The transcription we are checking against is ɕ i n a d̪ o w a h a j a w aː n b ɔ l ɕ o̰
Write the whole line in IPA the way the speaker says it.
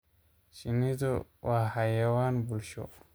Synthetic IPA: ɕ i n i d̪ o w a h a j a w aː n b u l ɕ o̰